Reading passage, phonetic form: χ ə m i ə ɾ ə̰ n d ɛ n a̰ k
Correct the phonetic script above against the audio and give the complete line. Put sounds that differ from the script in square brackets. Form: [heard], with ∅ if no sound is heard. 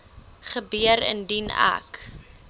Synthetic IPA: χ ə [b] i ə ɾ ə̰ n d [i] n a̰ k